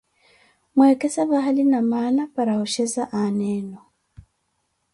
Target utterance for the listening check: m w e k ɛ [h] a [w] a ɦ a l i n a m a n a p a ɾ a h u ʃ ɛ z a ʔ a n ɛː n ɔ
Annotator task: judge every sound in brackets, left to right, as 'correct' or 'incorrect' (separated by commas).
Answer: incorrect, incorrect